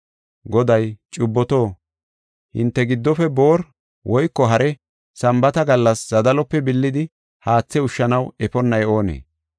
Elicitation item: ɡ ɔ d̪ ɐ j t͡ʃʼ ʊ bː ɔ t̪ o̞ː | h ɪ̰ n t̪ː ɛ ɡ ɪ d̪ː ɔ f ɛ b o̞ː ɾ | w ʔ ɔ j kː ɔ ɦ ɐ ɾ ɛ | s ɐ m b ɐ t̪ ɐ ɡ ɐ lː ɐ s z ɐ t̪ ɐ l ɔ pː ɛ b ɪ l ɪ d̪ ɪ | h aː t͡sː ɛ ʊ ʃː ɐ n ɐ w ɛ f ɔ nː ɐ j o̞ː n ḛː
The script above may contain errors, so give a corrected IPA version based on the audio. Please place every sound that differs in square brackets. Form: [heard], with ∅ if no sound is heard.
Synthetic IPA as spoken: ɡ ɔ d̪ ɐ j t͡ʃʼ ʊ bː ɔ t̪ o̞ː | h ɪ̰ n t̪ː ɛ ɡ ɪ d̪ː ɔ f ɛ b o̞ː ɾ | w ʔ ɔ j kː ɔ ɦ ɐ ɾ ɛ | s ɐ m b ɐ t̪ ɐ ɡ ɐ lː ɐ s z ɐ [d̪] ɐ l ɔ pː ɛ b ɪ [lː] ɪ d̪ ɪ | h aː t͡sː ɛ ʊ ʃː ɐ n ɐ w ɛ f ɔ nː ɐ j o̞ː n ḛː

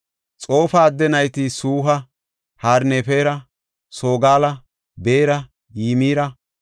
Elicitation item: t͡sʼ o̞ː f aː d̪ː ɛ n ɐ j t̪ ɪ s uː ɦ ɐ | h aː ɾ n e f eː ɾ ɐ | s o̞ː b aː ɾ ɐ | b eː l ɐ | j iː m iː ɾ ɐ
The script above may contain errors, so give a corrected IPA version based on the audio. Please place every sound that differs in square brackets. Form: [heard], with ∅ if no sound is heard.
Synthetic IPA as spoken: t͡sʼ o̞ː f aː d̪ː ɛ n ɐ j t̪ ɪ s uː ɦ ɐ | h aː ɾ n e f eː ɾ ɐ | s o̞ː [ɡ] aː [l] ɐ | b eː [ɾ] ɐ | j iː m iː ɾ ɐ

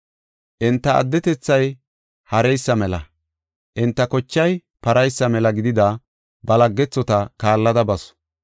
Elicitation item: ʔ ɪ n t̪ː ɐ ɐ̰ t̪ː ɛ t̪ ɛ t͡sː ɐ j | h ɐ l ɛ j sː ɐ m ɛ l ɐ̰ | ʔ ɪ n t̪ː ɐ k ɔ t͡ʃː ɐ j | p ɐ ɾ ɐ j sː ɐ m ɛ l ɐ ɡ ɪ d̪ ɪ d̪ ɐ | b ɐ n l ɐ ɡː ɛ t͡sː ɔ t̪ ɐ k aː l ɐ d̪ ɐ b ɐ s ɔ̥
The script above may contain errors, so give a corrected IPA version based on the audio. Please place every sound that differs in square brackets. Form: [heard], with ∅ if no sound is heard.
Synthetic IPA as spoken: ʔ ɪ n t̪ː ɐ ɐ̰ [d̪ː] ɛ t̪ ɛ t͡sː ɐ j | h ɐ [ɾ] ɛ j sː ɐ m ɛ l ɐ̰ | ʔ ɪ n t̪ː ɐ k ɔ t͡ʃː ɐ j | p ɐ ɾ ɐ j sː ɐ m ɛ l ɐ ɡ ɪ d̪ ɪ d̪ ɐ | b ɐ [∅] l ɐ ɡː ɛ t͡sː ɔ t̪ ɐ k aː [lː] ɐ d̪ ɐ b ɐ s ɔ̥

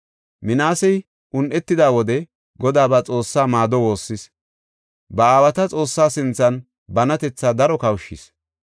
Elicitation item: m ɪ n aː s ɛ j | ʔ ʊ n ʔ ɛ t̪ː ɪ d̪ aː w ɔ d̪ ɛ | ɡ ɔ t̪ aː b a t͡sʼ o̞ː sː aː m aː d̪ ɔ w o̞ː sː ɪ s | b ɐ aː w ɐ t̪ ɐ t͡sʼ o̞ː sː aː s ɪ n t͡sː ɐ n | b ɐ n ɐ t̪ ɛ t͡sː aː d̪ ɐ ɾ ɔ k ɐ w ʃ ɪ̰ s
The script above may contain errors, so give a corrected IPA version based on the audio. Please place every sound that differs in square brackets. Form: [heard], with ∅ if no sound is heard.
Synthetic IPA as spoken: m ɪ n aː s ɛ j | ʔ ʊ n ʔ ɛ t̪ː ɪ d̪ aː w ɔ d̪ ɛ | ɡ ɔ [d̪] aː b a t͡sʼ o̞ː sː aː m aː d̪ ɔ w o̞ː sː ɪ s | b ɐ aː w ɐ t̪ ɐ t͡sʼ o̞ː sː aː s ɪ n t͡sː ɐ n | b ɐ n ɐ t̪ ɛ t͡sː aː d̪ ɐ ɾ ɔ k ɐ w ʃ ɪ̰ s

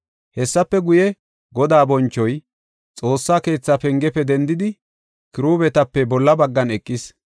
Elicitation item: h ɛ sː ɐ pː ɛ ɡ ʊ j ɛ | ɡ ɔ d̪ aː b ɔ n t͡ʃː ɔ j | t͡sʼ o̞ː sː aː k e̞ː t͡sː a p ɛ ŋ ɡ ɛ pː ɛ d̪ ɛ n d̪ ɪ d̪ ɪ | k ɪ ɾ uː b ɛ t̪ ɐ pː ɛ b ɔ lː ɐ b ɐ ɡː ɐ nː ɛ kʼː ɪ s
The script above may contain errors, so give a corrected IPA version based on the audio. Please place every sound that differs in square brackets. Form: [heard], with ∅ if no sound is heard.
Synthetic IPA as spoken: h ɛ sː ɐ pː ɛ ɡ ʊ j ɛ | ɡ ɔ d̪ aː b ɔ n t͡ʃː ɔ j | t͡sʼ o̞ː sː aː k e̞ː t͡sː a p ɛ ŋ ɡ ɛ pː ɛ d̪ ɛ n d̪ ɪ d̪ ɪ | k ɪ ɾ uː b ɛ t̪ ɐ pː ɛ b ɔ lː ɐ b ɐ ɡː ɐ [n] ɛ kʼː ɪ s

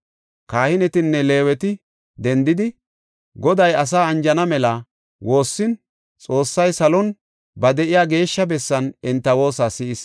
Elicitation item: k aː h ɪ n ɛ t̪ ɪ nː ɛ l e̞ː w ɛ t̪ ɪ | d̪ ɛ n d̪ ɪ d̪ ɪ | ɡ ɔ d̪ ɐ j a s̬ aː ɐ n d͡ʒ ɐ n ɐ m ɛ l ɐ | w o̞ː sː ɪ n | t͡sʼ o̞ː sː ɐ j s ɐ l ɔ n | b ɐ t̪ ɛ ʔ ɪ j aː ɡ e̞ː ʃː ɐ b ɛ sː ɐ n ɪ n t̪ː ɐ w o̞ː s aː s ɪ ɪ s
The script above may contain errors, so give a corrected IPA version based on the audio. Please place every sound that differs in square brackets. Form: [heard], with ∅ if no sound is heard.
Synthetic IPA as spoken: k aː h ɪ n ɛ t̪ ɪ nː ɛ l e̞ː w ɛ t̪ ɪ | d̪ ɛ n d̪ ɪ d̪ ɪ | ɡ ɔ d̪ ɐ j [ɐ] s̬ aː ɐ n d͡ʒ ɐ n ɐ m ɛ l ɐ | w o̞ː sː ɪ n | t͡sʼ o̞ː sː ɐ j s ɐ l ɔ n | b ɐ [d̪] ɛ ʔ ɪ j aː ɡ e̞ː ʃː ɐ b ɛ sː ɐ n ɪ n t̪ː ɐ w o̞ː s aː s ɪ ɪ s

